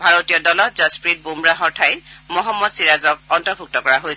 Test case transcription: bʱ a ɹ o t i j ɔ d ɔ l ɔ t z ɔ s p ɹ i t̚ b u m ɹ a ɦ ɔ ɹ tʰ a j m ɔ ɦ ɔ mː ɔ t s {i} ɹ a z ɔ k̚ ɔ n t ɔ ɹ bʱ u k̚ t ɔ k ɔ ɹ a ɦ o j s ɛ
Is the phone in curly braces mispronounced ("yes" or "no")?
no